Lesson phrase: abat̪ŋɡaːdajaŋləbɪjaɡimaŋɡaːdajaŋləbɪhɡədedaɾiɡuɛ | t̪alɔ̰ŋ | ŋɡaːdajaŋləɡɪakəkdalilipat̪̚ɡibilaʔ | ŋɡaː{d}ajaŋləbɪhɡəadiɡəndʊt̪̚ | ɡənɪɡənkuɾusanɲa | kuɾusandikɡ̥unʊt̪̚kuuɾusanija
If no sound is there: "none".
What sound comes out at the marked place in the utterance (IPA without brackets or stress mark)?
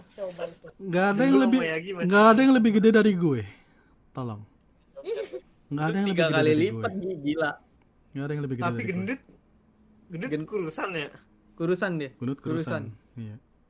d